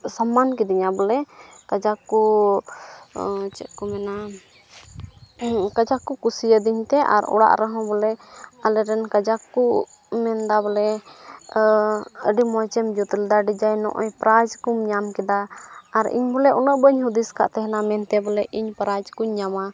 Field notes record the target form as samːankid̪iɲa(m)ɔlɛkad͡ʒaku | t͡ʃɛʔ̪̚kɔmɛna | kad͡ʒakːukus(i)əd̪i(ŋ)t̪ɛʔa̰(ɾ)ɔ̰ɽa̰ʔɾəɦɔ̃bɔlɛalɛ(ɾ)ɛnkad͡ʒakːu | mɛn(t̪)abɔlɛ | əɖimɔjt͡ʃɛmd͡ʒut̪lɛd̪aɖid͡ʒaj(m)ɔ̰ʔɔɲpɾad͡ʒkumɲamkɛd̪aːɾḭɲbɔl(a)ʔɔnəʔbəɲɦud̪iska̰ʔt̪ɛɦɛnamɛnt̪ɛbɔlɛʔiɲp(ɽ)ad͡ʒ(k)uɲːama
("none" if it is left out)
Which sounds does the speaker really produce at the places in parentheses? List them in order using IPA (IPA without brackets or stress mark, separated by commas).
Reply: b, i, ɲ, ɾ, ɾ, d̪, n, ɛ, ɾ, k